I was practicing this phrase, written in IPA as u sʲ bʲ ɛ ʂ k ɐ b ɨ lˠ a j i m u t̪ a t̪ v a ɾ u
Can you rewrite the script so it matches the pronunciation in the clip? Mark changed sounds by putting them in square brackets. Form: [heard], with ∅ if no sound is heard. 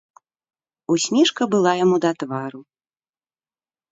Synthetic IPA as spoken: u sʲ [mʲ] ɛ ʂ k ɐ b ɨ lˠ a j [a] m u [d̪] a t̪ v a ɾ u

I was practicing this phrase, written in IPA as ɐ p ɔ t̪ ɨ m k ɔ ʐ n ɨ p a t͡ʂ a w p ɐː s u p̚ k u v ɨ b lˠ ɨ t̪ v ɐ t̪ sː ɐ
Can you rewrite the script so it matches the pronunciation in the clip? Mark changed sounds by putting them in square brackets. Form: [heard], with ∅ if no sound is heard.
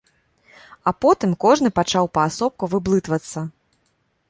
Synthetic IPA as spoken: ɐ p ɔ t̪ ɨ m k ɔ ʐ n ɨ p a t͡ʂ a w p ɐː s [ɔ] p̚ k u v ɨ b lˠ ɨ t̪ v ɐ t̪ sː ɐ

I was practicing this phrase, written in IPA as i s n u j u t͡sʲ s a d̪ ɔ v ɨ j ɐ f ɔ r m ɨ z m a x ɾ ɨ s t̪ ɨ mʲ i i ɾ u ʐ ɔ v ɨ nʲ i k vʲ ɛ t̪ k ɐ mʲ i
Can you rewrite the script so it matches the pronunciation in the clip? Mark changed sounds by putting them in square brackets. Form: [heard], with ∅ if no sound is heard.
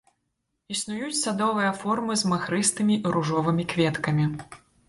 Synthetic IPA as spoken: i s n u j u t͡sʲ s a d̪ ɔ v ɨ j ɐ f ɔ r m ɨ z m a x ɾ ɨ s t̪ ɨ mʲ i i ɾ u ʐ ɔ v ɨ [mʲ] i k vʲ ɛ t̪ k ɐ mʲ i

